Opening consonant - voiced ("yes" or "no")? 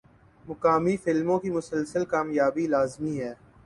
yes